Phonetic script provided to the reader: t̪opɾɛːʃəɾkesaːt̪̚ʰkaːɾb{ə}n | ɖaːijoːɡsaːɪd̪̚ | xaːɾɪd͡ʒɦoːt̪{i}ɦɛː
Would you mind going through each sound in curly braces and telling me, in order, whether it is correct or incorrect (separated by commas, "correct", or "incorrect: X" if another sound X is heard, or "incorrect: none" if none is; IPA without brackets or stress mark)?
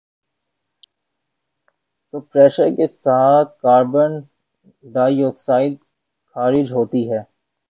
correct, correct